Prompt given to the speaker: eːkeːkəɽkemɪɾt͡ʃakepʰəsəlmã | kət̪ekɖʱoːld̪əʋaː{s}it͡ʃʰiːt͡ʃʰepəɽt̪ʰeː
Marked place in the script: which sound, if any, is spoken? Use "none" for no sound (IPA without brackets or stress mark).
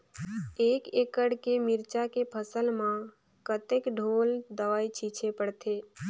none